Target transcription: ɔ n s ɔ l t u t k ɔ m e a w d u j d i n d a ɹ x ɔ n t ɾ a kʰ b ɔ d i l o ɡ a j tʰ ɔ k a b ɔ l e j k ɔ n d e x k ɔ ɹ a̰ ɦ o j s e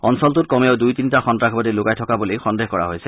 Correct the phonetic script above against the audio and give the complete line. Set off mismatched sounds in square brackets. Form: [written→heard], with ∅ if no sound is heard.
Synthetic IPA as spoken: ɔ n s ɔ l t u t k ɔ m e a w d u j [d→t] i n [d→t] a [ɹ→∅] x ɔ n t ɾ a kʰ b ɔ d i l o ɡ a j tʰ ɔ k a b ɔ l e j [k→x] ɔ n d e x k ɔ ɹ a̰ ɦ o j s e

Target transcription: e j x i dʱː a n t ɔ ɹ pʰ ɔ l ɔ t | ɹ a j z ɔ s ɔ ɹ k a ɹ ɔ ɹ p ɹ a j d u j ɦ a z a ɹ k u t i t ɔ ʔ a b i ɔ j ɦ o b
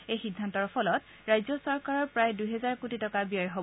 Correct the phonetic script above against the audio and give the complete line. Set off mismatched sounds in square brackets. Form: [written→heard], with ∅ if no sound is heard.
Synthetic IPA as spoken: e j x i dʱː a n t ɔ ɹ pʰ ɔ l ɔ t | ɹ a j z ɔ s ɔ ɹ k a ɹ ɔ ɹ p ɹ a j d u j ɦ [a→ɛ] z a ɹ k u t i t ɔ [ʔ→k] a b i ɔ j ɦ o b

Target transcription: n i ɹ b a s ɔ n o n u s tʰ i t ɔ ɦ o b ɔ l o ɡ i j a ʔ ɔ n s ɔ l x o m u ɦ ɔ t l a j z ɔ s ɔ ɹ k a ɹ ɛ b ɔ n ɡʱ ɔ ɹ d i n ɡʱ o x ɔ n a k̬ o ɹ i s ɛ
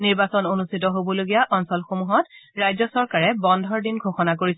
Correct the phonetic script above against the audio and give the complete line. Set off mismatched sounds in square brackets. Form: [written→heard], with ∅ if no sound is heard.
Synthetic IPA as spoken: n i ɹ b a s ɔ n o n u s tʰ i t ɔ ɦ o b ɔ l o ɡ i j a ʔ ɔ n s ɔ l x o m u ɦ ɔ t [l→ɹ] a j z ɔ s ɔ ɹ k a ɹ ɛ b ɔ n [ɡʱ→dʱ] ɔ ɹ d i n ɡʱ o x ɔ n a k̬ o ɹ i s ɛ

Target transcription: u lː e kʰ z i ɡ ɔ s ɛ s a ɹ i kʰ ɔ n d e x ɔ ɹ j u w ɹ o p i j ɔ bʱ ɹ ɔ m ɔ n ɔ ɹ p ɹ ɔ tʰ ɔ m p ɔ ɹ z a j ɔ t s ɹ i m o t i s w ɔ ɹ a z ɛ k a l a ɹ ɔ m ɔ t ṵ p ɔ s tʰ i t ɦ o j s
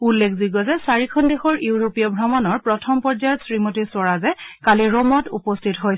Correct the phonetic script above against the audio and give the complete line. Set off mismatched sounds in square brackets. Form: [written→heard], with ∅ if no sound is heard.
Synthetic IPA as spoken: u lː e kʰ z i ɡ ɔ [s→z] ɛ s a ɹ i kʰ ɔ n d e x ɔ ɹ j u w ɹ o p i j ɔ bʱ ɹ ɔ m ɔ n ɔ ɹ p ɹ ɔ tʰ ɔ m p ɔ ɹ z a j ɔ t s ɹ i m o t i s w ɔ ɹ a z ɛ k a l [a→i] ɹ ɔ m ɔ t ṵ p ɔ s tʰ i t ɦ o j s

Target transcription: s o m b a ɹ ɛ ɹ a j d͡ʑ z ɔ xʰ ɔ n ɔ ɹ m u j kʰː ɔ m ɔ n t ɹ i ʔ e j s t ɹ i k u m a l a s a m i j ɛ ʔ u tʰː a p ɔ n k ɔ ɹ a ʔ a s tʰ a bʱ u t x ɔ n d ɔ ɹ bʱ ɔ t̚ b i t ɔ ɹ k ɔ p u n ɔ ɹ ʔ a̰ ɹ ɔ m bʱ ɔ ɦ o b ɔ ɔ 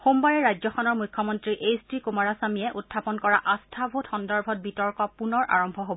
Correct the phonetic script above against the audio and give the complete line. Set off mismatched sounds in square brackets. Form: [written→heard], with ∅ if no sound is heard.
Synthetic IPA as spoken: [s→x] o m b a ɹ ɛ ɹ a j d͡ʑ z ɔ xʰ ɔ n ɔ ɹ m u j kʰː ɔ m ɔ n t ɹ i ʔ e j s t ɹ i k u m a [l→ɹ] a s a m i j ɛ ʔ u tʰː a p ɔ n k ɔ ɹ a ʔ a s tʰ a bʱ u t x ɔ n d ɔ ɹ bʱ ɔ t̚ b i t ɔ ɹ k ɔ p u n ɔ ɹ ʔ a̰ ɹ ɔ m bʱ ɔ ɦ o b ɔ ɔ

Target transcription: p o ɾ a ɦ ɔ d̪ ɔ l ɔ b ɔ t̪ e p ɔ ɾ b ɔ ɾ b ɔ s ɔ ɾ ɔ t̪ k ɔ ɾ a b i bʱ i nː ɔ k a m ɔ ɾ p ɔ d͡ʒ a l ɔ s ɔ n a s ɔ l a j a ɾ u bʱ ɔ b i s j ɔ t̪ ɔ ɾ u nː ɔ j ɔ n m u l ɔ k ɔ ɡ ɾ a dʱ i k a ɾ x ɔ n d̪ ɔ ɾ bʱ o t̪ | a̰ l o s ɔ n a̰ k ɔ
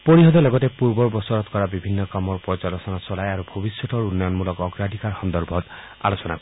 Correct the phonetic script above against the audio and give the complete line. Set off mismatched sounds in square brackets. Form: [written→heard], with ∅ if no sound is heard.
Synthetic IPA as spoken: p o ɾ [a→i] ɦ ɔ d̪ ɔ l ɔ [b→ɡ] ɔ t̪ e p [ɔ→u] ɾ b ɔ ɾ b ɔ s ɔ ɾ ɔ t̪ k ɔ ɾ a b i bʱ i nː ɔ k a m ɔ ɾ p ɔ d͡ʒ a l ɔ s ɔ n a s ɔ l a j a ɾ u bʱ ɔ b i s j ɔ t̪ ɔ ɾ u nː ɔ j ɔ n m u l ɔ k ɔ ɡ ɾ a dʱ i k a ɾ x ɔ n d̪ ɔ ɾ bʱ [o→ɔ] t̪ | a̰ l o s ɔ n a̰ k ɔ

